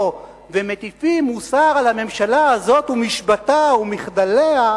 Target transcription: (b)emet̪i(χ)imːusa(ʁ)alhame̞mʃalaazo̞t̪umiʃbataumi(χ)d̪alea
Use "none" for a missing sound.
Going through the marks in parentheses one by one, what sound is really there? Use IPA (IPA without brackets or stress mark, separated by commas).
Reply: v, f, ʁ, χ